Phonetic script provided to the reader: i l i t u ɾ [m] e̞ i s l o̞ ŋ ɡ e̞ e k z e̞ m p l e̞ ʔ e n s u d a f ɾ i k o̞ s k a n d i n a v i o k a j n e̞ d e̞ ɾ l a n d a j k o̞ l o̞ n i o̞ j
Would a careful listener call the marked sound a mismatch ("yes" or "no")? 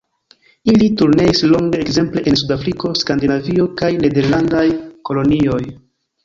yes